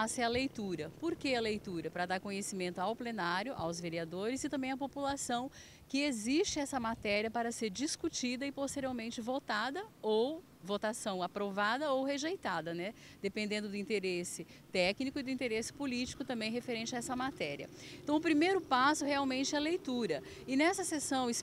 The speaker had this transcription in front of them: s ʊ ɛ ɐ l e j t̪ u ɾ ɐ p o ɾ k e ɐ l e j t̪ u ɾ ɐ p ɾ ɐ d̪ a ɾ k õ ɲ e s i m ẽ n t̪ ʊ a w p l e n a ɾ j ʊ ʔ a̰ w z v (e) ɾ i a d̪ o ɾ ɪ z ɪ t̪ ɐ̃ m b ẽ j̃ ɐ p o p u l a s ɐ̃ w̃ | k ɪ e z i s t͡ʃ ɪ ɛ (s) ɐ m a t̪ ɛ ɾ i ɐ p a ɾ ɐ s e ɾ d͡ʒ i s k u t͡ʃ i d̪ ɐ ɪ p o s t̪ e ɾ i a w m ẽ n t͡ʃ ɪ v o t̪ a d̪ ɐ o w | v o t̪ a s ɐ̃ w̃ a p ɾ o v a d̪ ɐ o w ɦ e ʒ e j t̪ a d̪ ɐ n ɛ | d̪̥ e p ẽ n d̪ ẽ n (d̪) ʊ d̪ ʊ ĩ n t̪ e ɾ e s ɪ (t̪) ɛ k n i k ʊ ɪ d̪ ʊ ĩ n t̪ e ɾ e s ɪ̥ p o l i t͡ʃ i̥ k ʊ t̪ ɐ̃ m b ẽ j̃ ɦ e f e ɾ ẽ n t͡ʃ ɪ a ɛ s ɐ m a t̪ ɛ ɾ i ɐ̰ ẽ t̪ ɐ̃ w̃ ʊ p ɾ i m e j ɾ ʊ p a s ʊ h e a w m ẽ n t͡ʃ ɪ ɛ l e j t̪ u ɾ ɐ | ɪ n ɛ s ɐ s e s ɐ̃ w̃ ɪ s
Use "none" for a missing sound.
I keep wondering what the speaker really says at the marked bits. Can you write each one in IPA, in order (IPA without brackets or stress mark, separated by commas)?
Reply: e, s, d̪, t̪